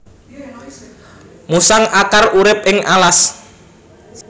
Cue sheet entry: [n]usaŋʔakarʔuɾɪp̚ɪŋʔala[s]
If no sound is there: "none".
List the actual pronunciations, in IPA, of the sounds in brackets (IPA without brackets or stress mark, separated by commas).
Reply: m, s